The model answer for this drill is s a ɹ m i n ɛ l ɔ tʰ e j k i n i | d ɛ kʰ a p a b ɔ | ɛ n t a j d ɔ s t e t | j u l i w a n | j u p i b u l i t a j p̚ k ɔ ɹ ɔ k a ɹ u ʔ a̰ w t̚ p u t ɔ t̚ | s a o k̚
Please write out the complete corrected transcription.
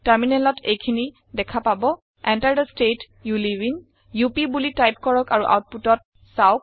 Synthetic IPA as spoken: t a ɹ m i n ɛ l ɔ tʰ e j kʰ i n i | d ɛ kʰ a p a b ɔ | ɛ n t a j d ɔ s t e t | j u l i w i n | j u p i b u l i t a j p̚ k ɔ ɹ ɔ k a ɹ u ʔ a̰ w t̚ p u t ɔ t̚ | s a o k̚

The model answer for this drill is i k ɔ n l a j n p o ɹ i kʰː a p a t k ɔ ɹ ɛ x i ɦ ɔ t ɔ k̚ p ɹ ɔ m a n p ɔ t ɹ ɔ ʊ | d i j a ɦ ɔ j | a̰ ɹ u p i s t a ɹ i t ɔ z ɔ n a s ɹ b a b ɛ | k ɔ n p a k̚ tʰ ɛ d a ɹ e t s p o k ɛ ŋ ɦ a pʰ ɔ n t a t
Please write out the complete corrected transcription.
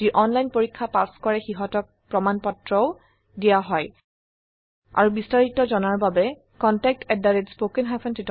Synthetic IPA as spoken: i ʔ ɔ n l a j n p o ɹ i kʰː a p a s k ɔ ɹ ɛ x i ɦ ɔ t ɔ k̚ p ɹ ɔ m a n p ɔ t ɹ ɔ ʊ | d i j a ɦ ɔ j | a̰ ɹ u b i s t a ɹ i t ɔ z ɔ n a ɹ b a b ɛ | k ɔ n t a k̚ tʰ ɛ d a ɹ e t s p o k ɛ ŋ ɦ a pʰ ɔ n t i t

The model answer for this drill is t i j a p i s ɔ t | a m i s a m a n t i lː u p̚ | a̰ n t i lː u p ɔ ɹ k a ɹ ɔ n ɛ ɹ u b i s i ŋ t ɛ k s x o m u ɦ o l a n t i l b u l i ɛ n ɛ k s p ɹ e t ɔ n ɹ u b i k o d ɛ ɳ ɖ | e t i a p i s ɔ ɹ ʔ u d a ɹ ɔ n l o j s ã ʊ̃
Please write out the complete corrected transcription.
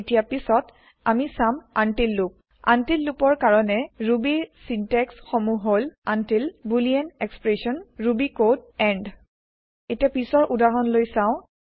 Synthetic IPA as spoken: t i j a p i s ɔ t | a m i s a m a n t i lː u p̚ | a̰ n t i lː u p ɔ ɹ k a ɹ ɔ n ɛ ɹ u b i s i n t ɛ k s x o m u ɦ o l a n t i l b u l i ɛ n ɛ k s p ɹ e s ɔ n ɹ u b i k o d ɛ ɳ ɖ | e t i a p i s ɔ ɹ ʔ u d a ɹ ɔ n l o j s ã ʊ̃

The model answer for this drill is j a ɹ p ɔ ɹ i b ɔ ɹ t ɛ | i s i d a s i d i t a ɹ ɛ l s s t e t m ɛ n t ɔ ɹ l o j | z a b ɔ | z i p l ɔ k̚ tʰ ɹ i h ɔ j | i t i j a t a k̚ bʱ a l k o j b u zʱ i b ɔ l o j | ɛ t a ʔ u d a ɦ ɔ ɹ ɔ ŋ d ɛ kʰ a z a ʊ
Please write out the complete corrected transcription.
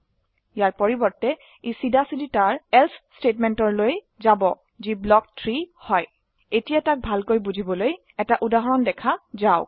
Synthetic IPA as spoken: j a ɹ p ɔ ɹ i b ɔ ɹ t ɛ | i s i d a s i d i t a ɹ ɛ l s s t e t m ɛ n t ɔ ɹ l o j | z a b ɔ | z i b l ɔ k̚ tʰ ɹ i h ɔ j | e t i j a t a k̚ bʱ a l k o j b u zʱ i b ɔ l o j | ɛ t a ʔ u d a ɦ ɔ ɹ ɔ n d ɛ kʰ a z a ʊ

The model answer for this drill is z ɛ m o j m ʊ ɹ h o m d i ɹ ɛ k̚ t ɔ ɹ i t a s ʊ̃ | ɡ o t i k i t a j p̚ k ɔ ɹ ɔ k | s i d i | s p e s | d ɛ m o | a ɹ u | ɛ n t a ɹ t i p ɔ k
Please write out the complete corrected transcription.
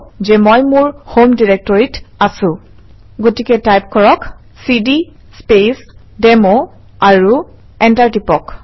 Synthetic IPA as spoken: z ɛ m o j m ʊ ɹ h o m d i ɹ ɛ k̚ t ɔ ɹ i t a s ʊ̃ | ɡ o t i k ɛ t a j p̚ k ɔ ɹ ɔ k | s i d i | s p e s | d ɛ m o | a ɹ u | ɛ n t a ɹ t i p ɔ k

